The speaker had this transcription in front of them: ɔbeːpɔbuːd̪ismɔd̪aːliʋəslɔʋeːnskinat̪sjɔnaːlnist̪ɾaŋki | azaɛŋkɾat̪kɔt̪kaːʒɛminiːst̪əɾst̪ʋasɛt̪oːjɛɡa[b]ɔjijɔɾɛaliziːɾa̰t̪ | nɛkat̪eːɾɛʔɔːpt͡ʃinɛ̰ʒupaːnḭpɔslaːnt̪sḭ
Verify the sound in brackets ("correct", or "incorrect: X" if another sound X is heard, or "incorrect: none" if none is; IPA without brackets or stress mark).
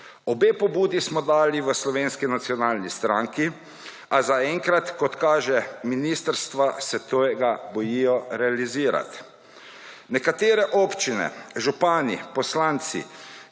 correct